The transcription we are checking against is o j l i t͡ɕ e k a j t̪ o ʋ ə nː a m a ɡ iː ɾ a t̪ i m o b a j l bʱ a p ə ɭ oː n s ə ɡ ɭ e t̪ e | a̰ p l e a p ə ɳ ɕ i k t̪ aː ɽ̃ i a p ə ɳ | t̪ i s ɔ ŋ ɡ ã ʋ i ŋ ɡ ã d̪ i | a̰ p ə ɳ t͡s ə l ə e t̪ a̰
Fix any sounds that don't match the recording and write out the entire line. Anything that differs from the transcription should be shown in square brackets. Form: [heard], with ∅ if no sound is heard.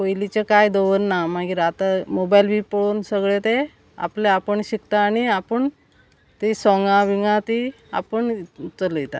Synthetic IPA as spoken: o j l i t͡ɕ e k a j [d̪] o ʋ ə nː a m a ɡ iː ɾ a t̪ [a] m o b a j l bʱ [i] p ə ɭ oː n s ə ɡ ɭ e t̪ e | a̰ p l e a p ə ɳ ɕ i k t̪ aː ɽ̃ i a p ə ɳ | t̪ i s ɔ ŋ ɡ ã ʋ i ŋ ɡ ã [t̪] i | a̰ p ə ɳ t͡s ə l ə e t̪ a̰